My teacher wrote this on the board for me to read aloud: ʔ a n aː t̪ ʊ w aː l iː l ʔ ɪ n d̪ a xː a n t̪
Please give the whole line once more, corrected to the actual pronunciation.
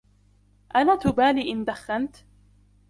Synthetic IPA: ʔ a n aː t̪ ʊ b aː l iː ʔ ɪ n d̪ a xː a n t̪